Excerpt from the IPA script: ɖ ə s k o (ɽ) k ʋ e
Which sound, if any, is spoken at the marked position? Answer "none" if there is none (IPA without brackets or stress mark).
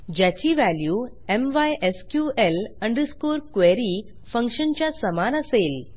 ɾ